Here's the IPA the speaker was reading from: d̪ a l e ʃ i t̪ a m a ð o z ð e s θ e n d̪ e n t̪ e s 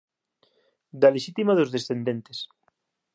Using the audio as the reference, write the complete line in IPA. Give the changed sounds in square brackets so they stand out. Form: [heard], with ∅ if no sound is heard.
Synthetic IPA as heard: d̪ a l e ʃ i t̪ [i] m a ð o z ð e s θ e n d̪ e n t̪ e s